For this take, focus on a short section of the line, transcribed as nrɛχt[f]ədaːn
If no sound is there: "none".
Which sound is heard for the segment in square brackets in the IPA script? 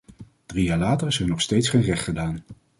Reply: χ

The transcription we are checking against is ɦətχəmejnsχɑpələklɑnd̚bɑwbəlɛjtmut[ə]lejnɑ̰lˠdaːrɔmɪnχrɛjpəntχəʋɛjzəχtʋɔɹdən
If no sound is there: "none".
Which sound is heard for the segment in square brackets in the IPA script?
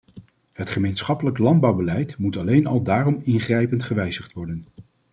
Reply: ɑ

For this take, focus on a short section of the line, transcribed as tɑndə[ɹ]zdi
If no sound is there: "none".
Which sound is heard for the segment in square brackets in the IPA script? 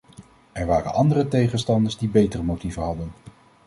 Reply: ɹ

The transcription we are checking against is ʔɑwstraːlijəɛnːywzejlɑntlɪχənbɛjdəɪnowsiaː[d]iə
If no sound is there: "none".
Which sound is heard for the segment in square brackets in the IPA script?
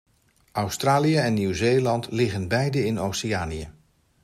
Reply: n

